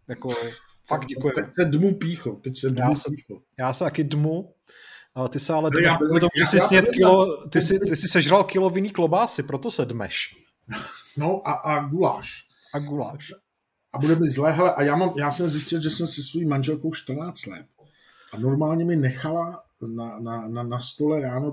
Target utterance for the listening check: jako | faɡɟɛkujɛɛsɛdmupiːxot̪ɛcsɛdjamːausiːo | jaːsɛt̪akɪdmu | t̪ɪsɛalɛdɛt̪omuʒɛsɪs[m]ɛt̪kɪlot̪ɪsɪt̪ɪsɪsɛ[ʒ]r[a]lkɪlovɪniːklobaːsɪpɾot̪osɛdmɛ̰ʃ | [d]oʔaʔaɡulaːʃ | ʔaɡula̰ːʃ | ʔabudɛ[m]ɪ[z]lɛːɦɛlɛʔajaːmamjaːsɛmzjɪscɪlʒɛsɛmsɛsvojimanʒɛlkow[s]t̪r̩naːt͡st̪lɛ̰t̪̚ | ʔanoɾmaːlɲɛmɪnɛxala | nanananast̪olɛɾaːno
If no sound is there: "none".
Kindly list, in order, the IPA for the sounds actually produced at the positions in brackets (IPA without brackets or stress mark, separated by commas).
ɲ, ʒ, a, n, m, z, ʃ